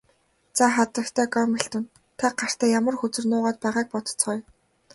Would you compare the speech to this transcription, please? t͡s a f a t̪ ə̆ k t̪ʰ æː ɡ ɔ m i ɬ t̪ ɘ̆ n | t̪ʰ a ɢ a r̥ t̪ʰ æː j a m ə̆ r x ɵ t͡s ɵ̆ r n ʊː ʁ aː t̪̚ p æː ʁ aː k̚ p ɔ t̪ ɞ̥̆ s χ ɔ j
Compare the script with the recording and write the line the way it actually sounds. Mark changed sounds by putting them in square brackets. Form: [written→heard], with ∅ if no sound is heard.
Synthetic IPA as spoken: t͡s a [f→χ] a t̪ ə̆ k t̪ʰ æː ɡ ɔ m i ɬ t̪ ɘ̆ n | t̪ʰ a ɢ a r̥ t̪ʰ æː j a m ə̆ r x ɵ t͡s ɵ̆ r n ʊː ʁ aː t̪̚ p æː ʁ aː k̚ p ɔ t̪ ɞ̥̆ [s→t͡s] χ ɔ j

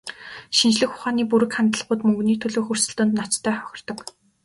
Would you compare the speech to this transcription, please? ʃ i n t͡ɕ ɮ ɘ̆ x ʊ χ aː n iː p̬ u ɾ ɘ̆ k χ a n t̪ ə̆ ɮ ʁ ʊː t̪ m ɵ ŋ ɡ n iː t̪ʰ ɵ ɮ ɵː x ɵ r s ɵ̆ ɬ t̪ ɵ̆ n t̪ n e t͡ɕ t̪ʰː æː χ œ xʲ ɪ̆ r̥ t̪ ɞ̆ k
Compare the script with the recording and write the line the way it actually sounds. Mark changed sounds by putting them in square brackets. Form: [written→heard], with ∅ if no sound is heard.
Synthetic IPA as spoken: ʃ i n t͡ɕ ɮ ɘ̆ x ʊ χ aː n iː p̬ u ɾ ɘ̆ k χ a n t̪ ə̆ ɮ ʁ ʊː t̪ m ɵ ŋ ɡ n iː t̪ʰ ɵ ɮ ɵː x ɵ r s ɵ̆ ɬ t̪ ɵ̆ n t̪ n [e→a] t͡ɕ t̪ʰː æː χ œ xʲ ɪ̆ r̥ t̪ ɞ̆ k

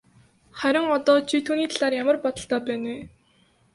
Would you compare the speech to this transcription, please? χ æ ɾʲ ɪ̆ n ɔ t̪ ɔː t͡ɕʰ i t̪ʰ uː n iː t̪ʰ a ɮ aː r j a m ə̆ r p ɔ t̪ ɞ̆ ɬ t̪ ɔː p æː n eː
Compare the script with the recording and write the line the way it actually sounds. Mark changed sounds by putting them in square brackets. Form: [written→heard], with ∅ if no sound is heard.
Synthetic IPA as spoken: χ æ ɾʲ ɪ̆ [n→ŋ] ɔ t̪ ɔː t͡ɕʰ i t̪ʰ uː n iː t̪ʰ a ɮ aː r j a m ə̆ r p ɔ t̪ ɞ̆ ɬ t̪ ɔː p æː n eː

